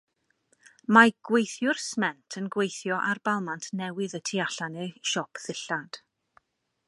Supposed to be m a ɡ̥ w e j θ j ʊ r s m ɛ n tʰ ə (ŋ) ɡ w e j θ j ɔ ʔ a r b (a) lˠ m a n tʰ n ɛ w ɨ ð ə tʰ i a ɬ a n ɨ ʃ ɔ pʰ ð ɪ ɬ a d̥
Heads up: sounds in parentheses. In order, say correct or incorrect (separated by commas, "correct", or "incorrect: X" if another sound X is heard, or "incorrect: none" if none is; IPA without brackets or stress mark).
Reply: incorrect: n, correct